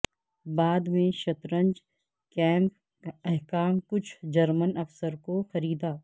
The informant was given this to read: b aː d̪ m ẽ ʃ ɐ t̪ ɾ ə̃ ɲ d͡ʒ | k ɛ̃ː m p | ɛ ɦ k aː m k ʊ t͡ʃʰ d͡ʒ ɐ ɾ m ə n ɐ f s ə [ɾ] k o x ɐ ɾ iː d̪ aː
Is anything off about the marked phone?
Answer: no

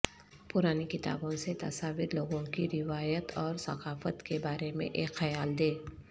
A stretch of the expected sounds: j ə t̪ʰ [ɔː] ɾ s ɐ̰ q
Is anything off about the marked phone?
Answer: no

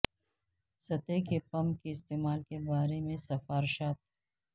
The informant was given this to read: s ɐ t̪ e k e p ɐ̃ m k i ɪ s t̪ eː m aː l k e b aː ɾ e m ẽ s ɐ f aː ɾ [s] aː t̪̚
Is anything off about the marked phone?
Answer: yes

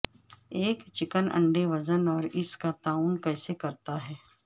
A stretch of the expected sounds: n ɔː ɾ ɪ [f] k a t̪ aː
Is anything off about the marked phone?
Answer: yes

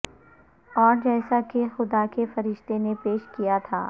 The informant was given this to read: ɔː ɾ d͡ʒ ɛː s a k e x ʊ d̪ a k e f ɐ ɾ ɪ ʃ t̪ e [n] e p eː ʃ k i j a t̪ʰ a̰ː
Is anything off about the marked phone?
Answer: no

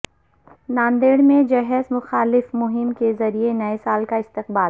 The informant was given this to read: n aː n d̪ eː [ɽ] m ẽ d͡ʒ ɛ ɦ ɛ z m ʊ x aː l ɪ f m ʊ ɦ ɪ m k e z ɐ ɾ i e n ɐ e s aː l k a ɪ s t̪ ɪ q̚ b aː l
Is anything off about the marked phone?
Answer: no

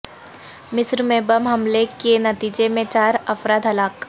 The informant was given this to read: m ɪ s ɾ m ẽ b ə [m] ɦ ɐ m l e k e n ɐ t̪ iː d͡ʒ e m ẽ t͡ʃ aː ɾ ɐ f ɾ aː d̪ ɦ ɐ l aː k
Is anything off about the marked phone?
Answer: no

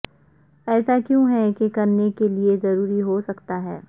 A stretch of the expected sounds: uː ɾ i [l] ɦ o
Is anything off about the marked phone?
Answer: yes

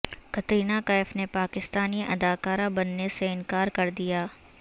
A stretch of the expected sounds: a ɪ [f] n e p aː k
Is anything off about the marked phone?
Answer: no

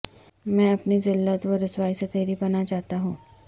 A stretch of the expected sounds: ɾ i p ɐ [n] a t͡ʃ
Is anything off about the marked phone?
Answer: no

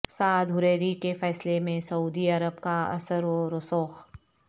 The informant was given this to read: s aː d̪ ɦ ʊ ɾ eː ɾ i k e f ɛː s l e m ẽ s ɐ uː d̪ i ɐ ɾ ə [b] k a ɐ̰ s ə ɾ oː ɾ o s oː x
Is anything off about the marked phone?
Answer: no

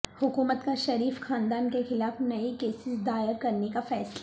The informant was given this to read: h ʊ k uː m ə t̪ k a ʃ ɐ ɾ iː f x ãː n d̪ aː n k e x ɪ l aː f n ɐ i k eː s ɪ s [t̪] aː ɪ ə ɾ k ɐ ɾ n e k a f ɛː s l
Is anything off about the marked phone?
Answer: yes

